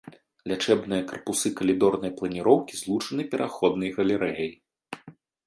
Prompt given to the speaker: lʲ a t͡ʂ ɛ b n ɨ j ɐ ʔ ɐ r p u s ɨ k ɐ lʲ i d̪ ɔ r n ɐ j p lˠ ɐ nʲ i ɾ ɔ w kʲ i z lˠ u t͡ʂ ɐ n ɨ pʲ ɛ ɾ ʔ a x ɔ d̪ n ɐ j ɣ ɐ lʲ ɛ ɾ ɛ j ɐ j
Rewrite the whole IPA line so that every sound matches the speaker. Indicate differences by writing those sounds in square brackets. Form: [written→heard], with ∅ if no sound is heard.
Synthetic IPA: lʲ a t͡ʂ ɛ b n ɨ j ɐ [ʔ→k] ɐ r p u s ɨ k ɐ lʲ i d̪ ɔ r n ɐ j p lˠ ɐ nʲ i ɾ ɔ w kʲ i z lˠ u t͡ʂ ɐ n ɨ pʲ ɛ ɾ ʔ a x ɔ d̪ n ɐ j ɣ ɐ lʲ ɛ ɾ ɛ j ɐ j